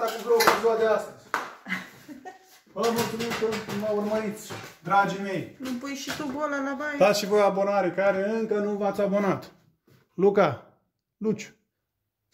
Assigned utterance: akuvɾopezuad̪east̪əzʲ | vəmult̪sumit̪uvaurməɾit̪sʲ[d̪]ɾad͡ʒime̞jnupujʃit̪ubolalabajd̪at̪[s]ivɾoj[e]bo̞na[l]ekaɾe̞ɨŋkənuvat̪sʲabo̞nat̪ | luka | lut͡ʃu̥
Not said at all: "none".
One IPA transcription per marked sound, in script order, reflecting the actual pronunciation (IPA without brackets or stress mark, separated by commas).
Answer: d̪, ʃ, a, ɾ